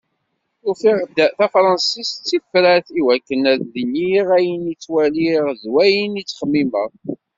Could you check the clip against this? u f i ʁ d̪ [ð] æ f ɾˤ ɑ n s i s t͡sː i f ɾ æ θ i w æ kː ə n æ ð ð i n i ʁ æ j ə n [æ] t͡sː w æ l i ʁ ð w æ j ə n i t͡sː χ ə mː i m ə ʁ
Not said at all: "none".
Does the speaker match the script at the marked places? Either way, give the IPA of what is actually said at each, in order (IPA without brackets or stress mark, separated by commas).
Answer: θ, i